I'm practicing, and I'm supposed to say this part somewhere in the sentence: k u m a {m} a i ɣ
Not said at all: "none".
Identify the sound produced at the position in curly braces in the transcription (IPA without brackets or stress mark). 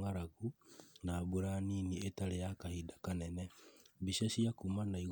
n